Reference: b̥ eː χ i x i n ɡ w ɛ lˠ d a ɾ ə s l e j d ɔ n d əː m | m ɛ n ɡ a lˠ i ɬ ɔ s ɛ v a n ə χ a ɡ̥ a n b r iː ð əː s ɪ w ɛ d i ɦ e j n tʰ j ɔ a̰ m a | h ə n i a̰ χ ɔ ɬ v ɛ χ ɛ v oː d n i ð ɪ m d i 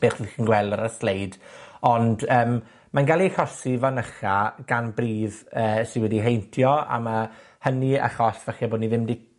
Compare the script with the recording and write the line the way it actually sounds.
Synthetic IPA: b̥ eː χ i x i n ɡ w ɛ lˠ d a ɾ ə s l e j d ɔ n d əː m | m a n ɡ a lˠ i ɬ ɔ s i v a n ə χ a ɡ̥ a n b r iː ð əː s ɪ w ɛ d i ɦ e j n tʰ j ɔ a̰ m a | h ə n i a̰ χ ɔ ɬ v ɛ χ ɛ b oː d n i ð ɪ m d i